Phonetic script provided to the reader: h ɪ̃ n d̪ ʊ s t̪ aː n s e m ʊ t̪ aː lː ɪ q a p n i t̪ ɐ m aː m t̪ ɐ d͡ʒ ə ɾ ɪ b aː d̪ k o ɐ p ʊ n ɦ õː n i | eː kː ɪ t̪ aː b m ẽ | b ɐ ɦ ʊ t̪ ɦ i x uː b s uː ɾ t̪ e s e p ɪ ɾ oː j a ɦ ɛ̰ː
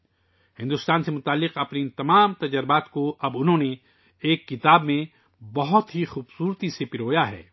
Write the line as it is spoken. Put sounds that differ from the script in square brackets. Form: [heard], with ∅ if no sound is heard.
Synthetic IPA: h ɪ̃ n d̪ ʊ s t̪ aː n s e m ʊ t̪ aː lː ɪ q [ɐ] p n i t̪ ɐ m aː m t̪ ɐ d͡ʒ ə ɾ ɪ b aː [t̪] k o ɐ [b] ʊ n ɦ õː n [e] | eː kː ɪ t̪ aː b m ẽ | b ɐ ɦ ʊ t̪ ɦ i x uː b s uː ɾ t̪ [i] s e p ɪ ɾ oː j a ɦ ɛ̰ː